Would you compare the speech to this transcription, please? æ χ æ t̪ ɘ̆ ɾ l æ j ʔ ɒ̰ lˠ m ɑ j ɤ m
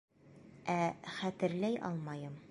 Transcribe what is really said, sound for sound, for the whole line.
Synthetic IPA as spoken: æ χ æ t̪ ɘ̆ ɾ l æ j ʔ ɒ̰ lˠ m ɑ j ɤ m